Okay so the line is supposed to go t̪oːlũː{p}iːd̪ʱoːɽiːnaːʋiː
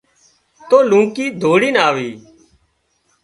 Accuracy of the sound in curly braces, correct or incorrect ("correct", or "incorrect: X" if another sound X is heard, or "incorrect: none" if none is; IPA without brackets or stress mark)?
incorrect: k